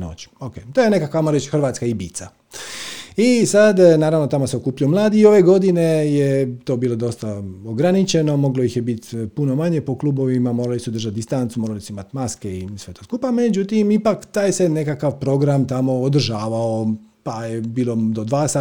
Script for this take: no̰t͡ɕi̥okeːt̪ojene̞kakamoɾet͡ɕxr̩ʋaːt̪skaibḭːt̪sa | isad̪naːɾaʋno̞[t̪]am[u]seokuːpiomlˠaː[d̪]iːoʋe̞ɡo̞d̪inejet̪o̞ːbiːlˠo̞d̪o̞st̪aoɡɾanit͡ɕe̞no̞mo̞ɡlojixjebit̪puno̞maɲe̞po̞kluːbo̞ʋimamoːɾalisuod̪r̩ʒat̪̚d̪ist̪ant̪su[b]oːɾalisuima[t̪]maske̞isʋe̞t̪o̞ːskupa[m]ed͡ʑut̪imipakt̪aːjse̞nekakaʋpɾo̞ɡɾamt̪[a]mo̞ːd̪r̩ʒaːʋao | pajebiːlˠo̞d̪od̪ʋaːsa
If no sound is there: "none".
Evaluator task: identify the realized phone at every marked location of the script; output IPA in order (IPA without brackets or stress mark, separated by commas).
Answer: t̪, o, d̪, m, t̪, m, a